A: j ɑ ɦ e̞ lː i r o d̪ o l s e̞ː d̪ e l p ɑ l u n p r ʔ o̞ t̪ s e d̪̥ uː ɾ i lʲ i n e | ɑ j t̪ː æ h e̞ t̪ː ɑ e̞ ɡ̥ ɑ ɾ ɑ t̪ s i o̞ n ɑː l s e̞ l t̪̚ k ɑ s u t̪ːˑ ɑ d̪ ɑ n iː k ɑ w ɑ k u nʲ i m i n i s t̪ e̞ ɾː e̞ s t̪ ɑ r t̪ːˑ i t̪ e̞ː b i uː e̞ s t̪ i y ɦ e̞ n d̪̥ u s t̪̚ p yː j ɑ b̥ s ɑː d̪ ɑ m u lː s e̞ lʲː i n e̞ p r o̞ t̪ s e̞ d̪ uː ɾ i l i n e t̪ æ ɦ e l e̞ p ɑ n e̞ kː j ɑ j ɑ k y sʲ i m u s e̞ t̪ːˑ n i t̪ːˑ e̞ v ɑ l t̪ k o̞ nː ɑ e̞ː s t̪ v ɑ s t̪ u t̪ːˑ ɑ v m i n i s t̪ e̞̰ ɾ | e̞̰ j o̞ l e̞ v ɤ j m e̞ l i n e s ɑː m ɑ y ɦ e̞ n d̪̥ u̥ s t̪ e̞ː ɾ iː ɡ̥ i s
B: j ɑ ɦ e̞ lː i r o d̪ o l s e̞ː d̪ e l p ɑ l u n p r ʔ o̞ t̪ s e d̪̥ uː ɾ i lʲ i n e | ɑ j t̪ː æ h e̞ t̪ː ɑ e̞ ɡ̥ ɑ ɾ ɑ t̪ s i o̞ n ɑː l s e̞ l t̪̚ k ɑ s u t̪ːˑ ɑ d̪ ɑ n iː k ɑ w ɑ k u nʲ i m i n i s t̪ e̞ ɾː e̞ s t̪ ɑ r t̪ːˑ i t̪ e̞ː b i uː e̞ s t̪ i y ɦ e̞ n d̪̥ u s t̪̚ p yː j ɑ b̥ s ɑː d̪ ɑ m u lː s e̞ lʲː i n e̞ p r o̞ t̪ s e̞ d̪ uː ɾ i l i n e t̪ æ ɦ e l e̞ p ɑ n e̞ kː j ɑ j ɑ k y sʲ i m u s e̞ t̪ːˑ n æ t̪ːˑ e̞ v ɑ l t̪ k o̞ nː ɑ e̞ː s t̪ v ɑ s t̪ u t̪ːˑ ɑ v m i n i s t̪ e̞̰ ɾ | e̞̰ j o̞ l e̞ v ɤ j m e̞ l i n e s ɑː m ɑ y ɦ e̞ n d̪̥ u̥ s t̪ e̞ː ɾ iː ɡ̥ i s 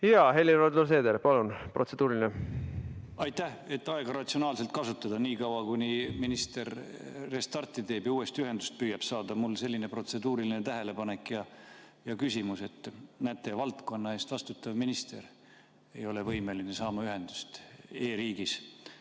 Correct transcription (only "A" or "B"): B